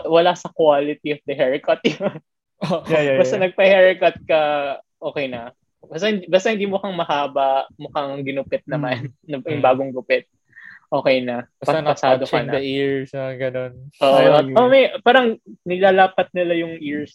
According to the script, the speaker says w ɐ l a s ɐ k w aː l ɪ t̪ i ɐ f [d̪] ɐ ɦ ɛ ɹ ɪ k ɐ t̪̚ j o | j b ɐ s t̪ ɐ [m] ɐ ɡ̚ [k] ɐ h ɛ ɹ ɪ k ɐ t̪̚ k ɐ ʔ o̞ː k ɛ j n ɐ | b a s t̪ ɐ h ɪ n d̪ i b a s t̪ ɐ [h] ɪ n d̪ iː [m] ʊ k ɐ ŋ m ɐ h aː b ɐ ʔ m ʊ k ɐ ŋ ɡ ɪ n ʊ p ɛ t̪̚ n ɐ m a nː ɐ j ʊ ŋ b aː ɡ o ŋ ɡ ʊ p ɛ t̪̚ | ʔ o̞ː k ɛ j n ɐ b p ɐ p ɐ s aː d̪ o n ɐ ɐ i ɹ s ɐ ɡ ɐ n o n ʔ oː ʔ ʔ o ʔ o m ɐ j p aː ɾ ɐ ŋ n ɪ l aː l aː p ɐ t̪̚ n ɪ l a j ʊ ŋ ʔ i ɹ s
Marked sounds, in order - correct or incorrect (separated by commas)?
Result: correct, incorrect, incorrect, correct, correct